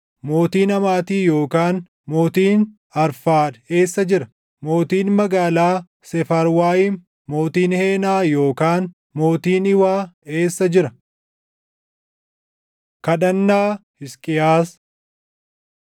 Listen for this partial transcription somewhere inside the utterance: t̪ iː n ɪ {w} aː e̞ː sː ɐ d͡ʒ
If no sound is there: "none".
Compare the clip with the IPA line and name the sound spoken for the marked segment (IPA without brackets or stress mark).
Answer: w